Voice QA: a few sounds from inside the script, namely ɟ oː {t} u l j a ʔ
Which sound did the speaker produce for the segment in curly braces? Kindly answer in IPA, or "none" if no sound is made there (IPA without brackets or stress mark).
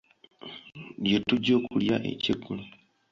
k